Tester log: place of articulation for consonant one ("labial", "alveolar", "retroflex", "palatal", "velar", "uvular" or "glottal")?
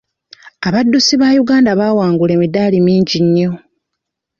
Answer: labial